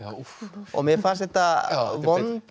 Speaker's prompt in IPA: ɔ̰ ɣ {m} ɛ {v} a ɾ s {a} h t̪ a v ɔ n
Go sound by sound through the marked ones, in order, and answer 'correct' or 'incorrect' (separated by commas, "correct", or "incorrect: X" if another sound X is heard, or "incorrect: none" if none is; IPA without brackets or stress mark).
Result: correct, incorrect: f, incorrect: ɛ